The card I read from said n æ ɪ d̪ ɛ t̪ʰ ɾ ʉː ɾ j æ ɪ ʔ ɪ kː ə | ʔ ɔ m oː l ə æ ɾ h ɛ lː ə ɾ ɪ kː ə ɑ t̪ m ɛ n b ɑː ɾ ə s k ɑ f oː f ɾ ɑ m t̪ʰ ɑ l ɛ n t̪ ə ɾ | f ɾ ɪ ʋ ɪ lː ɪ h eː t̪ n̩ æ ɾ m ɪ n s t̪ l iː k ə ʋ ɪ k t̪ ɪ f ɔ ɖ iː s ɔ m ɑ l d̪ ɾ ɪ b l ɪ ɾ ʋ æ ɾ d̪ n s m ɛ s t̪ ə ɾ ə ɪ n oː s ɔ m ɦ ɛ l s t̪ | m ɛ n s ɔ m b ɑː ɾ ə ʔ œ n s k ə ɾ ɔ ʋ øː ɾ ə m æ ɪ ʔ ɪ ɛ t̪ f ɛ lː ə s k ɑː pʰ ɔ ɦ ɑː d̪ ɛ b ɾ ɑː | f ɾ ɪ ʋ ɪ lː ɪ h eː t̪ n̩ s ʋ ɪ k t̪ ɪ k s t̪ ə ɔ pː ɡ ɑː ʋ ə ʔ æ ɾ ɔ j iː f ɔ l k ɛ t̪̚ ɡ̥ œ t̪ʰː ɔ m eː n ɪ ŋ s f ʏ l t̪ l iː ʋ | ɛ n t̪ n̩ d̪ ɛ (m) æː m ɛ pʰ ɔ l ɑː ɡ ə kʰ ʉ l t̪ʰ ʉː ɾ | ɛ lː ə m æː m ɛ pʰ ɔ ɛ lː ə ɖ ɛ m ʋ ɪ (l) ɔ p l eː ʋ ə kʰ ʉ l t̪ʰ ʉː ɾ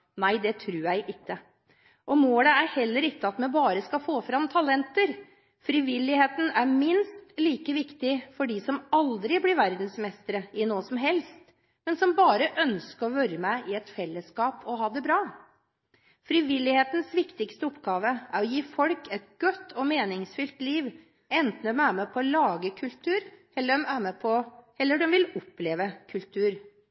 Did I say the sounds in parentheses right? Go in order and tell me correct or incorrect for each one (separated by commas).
correct, correct